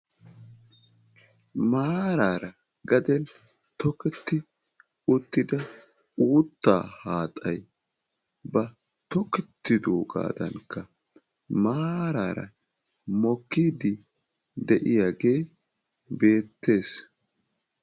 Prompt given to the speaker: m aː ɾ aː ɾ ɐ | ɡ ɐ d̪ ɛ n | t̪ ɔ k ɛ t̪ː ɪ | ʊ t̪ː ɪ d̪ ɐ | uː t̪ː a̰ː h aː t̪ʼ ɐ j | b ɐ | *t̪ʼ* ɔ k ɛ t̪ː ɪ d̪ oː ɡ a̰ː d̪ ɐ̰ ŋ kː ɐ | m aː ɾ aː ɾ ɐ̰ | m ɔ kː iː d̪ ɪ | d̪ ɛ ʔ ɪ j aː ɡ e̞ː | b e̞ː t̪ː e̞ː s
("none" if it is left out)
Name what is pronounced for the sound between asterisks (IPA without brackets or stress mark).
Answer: t̪